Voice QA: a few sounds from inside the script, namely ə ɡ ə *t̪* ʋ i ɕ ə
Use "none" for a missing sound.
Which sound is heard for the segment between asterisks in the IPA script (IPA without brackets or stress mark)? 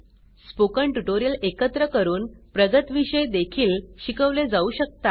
t̪